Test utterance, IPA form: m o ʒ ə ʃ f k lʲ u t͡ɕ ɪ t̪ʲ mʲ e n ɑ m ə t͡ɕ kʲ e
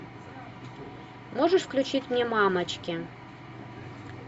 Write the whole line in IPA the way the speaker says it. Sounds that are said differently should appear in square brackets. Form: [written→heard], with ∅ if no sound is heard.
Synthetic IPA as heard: m o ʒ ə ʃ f k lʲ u t͡ɕ [ɪ→i] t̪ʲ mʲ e [n→m] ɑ m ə t͡ɕ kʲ e